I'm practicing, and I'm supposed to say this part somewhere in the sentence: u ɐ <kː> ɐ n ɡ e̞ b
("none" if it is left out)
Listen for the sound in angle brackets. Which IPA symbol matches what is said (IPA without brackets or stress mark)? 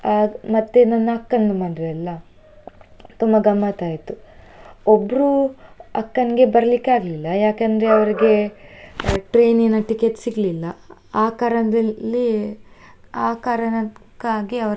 kː